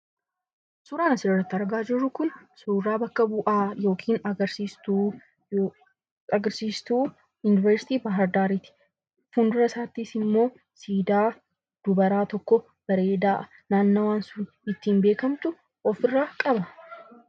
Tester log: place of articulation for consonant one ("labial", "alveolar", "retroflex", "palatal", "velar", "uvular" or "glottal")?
alveolar